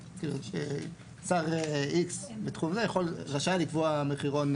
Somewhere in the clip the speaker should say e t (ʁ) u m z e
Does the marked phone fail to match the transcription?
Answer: yes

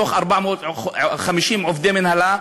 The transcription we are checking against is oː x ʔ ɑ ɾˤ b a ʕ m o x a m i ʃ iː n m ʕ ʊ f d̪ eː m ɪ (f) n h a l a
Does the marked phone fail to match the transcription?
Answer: yes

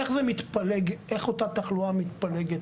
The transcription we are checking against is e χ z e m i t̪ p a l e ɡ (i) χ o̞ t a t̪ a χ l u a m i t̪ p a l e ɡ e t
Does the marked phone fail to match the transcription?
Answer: yes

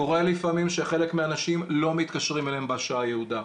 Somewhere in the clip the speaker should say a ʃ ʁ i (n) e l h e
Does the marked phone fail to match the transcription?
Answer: yes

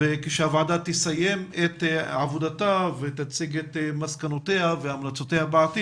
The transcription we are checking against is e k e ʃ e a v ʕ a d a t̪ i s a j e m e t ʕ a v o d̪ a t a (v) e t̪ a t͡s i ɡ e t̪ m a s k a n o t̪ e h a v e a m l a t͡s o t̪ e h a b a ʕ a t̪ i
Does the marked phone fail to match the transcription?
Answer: no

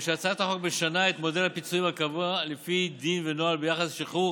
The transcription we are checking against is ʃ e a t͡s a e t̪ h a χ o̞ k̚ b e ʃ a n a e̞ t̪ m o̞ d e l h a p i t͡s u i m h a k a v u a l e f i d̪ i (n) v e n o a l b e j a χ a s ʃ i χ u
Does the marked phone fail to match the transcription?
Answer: no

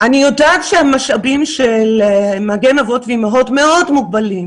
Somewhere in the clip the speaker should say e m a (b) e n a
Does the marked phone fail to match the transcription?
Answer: yes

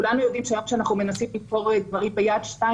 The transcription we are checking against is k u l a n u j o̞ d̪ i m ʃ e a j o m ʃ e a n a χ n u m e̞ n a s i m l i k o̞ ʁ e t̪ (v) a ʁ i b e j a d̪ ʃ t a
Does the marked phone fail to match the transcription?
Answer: no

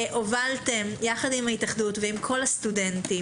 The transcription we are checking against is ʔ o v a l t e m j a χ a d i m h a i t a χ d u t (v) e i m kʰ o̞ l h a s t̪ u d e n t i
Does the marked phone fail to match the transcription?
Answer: no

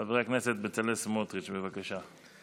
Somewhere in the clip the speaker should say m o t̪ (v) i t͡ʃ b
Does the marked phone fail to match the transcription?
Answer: yes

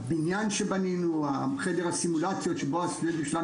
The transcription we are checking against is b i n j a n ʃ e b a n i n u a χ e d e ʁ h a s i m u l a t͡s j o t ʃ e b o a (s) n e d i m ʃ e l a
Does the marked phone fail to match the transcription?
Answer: no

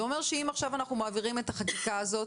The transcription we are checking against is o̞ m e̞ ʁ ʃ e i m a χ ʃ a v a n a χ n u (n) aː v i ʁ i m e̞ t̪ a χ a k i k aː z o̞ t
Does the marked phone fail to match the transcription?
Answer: yes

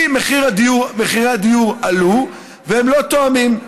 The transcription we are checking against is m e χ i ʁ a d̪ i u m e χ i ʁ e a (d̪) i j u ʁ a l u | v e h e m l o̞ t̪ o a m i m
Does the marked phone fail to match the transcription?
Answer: no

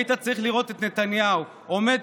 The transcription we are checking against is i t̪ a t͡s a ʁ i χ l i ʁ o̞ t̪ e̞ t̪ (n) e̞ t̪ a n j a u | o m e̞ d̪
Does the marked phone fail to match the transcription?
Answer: no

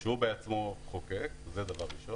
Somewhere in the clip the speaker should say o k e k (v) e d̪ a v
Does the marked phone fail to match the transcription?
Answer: yes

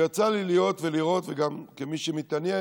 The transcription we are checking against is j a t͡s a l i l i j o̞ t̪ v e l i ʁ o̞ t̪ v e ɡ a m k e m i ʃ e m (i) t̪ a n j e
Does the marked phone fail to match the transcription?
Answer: no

